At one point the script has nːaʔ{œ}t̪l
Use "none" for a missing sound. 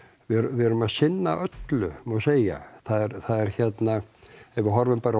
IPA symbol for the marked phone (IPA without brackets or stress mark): œ